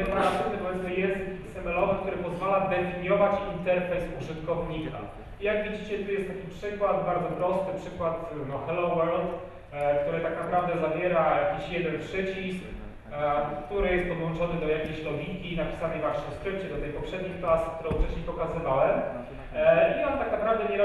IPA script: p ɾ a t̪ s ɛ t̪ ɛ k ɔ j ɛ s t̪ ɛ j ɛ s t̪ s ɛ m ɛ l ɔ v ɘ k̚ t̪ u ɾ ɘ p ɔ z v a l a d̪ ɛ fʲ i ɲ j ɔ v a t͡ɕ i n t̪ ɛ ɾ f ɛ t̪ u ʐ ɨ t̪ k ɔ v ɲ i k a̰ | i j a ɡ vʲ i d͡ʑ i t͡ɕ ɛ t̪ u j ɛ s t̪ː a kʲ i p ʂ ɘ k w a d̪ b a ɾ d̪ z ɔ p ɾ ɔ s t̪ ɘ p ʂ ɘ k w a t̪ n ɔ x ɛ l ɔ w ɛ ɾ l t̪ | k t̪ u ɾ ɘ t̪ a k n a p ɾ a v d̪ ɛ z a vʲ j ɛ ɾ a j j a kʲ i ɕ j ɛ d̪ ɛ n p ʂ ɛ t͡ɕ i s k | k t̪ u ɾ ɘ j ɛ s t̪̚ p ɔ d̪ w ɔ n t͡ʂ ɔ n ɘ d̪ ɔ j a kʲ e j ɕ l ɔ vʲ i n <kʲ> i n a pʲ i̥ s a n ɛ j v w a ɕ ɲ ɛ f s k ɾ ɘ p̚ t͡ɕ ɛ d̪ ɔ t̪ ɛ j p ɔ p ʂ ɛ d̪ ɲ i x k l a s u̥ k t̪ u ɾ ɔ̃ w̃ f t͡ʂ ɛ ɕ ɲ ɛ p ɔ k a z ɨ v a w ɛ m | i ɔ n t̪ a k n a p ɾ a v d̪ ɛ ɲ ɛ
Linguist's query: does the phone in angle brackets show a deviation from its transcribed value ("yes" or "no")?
no